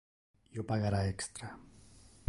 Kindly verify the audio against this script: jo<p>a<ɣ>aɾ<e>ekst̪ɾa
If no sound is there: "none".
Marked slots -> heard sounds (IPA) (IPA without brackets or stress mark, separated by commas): p, ɣ, a